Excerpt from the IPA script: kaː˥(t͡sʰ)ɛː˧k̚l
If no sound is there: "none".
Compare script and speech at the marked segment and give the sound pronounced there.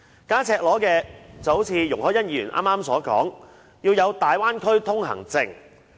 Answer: t͡sʰ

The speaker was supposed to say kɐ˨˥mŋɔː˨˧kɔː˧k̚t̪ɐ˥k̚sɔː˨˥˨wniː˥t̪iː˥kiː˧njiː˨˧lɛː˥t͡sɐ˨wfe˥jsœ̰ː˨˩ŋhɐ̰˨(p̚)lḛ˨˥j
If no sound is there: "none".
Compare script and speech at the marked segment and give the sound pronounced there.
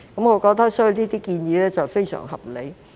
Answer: p̚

